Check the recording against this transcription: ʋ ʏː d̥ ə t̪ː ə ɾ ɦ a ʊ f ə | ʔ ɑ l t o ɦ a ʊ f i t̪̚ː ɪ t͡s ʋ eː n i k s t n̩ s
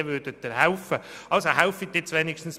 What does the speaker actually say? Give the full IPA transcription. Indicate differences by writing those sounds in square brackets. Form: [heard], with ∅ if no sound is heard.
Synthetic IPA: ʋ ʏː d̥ ə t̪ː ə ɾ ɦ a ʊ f ə | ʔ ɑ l [s] o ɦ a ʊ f i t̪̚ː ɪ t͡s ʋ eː n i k [ʃ] t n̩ s